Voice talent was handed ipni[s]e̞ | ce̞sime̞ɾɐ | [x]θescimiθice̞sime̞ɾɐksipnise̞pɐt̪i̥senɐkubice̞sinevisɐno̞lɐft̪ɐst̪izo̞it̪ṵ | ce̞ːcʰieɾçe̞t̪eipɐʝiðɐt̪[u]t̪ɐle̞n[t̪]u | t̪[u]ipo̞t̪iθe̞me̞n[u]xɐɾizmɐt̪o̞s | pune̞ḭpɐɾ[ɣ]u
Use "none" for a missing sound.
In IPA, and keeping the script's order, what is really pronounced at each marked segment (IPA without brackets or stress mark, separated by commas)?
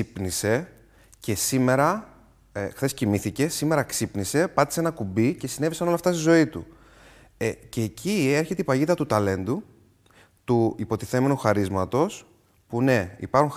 s, x, u, d̪, u, u, x